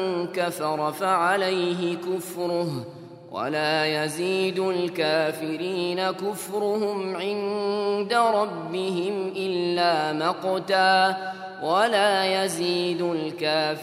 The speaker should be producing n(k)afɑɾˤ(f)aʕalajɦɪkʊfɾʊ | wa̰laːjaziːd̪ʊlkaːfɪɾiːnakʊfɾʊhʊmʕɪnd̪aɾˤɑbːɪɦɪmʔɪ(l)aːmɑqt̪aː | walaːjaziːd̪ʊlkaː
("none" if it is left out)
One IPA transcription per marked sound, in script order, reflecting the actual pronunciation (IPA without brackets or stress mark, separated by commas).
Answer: k, f, lː